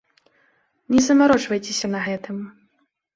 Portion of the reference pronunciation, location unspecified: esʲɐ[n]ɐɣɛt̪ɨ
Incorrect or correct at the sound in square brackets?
correct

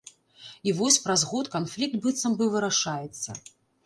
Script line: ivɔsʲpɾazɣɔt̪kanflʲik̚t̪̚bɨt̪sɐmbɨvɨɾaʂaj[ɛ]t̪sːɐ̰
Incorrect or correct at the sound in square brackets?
correct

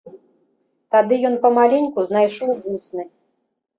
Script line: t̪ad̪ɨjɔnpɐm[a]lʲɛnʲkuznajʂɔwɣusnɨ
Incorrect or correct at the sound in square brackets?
correct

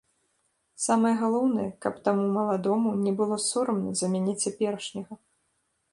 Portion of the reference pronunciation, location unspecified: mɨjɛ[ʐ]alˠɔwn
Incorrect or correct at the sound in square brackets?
incorrect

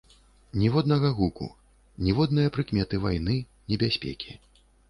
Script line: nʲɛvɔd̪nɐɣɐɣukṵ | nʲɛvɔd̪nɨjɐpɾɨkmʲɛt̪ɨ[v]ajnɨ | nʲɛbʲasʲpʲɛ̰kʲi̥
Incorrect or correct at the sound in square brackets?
correct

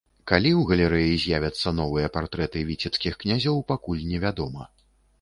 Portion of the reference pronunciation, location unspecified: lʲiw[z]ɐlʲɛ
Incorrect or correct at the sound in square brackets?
incorrect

